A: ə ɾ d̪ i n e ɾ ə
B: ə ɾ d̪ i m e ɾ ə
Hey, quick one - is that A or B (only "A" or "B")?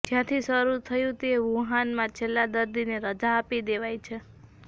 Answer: A